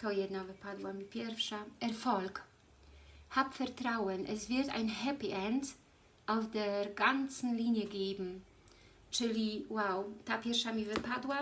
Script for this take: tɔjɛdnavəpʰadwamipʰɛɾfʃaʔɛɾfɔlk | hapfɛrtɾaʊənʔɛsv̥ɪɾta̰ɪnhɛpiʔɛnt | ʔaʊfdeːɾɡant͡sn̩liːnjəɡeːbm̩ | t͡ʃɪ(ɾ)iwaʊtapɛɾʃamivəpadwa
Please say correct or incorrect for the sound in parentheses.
incorrect